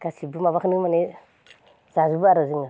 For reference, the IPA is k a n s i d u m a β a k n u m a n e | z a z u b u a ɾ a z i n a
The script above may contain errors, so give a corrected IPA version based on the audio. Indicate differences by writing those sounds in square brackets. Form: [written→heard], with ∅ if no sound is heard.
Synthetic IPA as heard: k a [n→∅] s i [d→b] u m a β a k n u m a n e | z a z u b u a ɾ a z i [n→ŋ] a